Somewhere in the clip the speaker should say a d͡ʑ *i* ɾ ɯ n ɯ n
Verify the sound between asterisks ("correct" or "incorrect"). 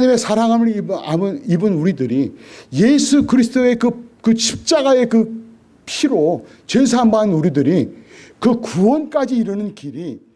incorrect